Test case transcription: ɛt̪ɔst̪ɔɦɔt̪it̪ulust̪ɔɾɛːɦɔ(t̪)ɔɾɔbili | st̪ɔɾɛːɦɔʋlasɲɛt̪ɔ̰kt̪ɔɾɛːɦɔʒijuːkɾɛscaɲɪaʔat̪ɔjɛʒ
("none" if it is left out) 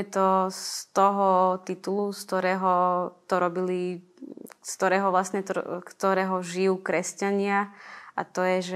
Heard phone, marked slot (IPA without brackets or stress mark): t̪